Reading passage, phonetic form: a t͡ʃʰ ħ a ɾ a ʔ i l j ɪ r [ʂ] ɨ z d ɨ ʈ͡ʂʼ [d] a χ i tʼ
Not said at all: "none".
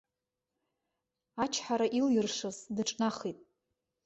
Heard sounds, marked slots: ʂ, n

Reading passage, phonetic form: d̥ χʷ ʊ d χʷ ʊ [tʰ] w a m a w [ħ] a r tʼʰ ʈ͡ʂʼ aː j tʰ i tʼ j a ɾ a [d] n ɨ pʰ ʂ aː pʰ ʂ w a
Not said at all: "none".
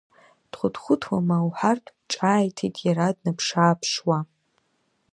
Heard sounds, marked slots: tʰ, ħ, d

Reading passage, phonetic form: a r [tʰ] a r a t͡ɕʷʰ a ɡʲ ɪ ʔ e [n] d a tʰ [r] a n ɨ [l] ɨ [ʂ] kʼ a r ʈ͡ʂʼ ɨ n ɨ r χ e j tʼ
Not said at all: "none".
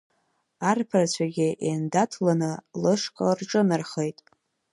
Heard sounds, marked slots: pʰ, n, l, l, ʂ

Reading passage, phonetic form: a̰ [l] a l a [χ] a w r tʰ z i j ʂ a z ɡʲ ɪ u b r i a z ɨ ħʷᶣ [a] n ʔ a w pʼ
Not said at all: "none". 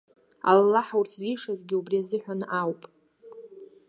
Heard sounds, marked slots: l, ħ, a

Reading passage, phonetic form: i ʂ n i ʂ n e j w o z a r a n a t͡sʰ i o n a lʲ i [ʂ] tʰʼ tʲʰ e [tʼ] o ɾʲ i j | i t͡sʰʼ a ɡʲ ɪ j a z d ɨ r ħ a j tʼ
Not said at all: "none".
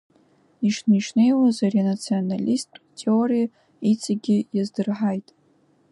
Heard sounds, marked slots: s, none

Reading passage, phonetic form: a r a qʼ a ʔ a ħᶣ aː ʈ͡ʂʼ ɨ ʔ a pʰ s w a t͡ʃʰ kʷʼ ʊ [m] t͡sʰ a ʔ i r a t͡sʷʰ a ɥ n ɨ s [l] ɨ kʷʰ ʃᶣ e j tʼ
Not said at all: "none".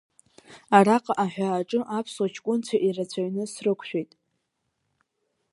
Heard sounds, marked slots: n, r

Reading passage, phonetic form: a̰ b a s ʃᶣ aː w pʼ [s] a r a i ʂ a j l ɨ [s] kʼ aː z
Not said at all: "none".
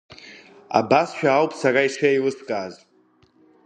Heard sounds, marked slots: s, s

